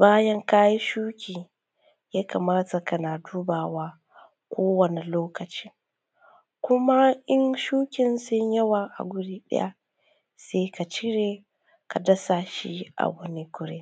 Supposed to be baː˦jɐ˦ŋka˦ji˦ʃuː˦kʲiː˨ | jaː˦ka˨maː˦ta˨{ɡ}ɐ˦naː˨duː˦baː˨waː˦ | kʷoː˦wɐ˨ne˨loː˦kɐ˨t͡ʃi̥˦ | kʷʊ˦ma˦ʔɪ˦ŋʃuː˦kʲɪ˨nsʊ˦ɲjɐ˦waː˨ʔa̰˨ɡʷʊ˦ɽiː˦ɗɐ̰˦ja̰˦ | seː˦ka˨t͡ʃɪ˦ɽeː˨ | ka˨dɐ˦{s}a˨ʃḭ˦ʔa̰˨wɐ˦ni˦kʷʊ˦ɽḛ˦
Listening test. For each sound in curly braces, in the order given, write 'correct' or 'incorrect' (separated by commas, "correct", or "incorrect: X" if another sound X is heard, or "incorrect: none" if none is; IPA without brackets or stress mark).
incorrect: k, correct